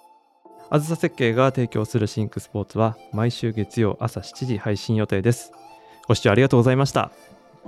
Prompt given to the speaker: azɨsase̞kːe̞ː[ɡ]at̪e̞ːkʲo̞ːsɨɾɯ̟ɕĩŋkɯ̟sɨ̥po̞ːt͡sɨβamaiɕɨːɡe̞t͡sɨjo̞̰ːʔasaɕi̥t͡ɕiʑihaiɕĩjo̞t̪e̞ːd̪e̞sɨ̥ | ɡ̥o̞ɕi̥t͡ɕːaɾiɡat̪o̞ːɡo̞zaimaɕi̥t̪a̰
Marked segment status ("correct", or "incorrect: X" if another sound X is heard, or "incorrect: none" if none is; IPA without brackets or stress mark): correct